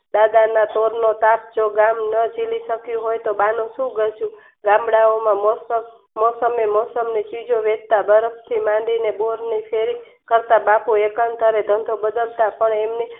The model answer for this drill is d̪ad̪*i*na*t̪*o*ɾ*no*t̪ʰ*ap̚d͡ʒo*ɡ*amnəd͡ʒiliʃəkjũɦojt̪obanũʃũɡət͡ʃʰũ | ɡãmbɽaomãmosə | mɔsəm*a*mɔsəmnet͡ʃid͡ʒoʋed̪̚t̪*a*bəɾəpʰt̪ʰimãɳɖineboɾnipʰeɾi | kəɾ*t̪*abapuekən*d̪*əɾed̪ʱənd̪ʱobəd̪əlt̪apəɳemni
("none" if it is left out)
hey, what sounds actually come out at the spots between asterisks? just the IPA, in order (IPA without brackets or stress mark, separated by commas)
a, t̪, ɾ, t̪, ɡ, e, a, t̪, t̪